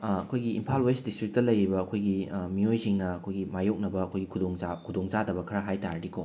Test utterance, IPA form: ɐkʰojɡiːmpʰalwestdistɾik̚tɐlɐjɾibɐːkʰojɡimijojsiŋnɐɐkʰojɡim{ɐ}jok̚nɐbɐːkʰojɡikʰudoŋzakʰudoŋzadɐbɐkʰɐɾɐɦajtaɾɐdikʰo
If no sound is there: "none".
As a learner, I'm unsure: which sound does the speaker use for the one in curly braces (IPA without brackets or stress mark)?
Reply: a